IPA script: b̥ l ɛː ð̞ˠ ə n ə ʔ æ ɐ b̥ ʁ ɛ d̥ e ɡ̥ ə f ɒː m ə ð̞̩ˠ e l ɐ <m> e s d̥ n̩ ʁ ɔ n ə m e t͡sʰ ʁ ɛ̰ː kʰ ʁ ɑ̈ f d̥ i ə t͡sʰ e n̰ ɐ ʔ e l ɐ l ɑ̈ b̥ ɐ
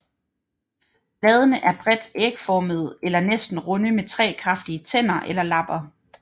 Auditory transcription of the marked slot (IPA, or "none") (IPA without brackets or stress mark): n